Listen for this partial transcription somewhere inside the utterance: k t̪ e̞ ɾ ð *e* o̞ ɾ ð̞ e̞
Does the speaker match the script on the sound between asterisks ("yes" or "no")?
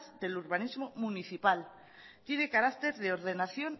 yes